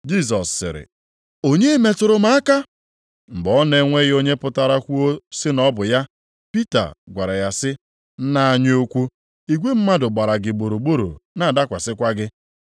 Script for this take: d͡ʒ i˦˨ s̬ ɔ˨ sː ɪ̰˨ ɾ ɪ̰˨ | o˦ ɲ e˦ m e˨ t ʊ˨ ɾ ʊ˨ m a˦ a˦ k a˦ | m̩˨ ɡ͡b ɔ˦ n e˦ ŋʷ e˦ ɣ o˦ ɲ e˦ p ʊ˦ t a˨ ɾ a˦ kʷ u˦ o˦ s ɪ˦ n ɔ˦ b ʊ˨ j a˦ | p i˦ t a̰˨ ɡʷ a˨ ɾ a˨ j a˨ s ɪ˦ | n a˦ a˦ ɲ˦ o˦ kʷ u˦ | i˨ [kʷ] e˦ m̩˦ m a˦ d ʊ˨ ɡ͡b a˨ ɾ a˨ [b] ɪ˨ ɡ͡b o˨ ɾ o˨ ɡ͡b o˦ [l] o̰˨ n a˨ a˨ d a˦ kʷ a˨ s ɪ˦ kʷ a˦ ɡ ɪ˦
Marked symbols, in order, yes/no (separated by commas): no, no, no